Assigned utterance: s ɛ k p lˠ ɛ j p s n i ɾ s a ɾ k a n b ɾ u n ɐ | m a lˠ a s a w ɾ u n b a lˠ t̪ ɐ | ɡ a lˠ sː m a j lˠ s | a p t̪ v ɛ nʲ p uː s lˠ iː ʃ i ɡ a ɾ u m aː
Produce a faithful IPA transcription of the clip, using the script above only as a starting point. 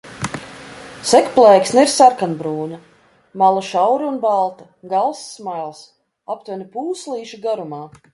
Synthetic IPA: s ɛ k p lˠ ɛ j k s n i ɾ s a ɾ k a n b ɾ uː n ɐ | m a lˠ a ʃ a w ɾ u n b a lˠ t̪ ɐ | ɡ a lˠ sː m a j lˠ s | a p t̪ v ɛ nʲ p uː s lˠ iː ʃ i ɡ a ɾ u m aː